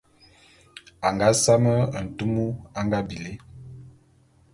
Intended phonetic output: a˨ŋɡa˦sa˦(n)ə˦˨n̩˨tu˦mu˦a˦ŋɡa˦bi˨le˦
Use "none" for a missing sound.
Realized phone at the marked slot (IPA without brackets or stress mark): m